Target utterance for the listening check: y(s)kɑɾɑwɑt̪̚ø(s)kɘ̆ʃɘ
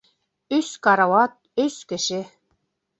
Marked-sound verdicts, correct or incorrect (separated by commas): correct, correct